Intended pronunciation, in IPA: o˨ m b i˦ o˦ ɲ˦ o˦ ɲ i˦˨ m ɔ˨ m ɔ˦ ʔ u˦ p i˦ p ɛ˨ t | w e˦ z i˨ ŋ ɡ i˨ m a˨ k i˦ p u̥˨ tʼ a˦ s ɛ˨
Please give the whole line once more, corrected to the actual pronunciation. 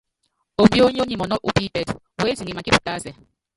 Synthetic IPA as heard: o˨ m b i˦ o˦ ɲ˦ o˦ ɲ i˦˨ m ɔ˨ n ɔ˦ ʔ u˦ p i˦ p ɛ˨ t | w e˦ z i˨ ŋ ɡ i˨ m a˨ k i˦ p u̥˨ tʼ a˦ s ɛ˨